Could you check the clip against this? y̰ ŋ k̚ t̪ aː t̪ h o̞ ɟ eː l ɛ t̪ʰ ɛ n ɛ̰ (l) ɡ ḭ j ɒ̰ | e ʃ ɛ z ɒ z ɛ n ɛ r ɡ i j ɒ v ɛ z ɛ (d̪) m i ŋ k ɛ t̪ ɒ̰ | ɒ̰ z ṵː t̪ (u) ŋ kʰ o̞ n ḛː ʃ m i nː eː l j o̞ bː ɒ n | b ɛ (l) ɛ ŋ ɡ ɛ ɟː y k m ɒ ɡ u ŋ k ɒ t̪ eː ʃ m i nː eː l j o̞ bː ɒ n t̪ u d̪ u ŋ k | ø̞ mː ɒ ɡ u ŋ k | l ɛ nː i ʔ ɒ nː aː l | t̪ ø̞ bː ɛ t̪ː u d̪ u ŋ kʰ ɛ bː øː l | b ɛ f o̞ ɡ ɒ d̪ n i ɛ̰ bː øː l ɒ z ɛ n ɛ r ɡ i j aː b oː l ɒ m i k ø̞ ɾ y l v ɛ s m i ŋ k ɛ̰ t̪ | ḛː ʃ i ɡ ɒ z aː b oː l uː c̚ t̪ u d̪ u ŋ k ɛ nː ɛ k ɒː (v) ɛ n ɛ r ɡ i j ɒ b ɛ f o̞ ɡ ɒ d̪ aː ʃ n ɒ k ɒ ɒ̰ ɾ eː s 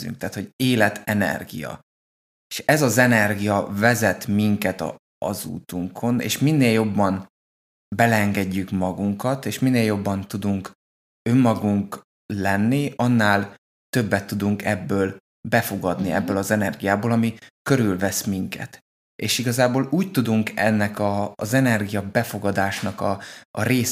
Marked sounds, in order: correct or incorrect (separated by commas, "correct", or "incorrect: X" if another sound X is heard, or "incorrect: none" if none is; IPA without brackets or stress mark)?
incorrect: r, incorrect: t̪, correct, correct, incorrect: z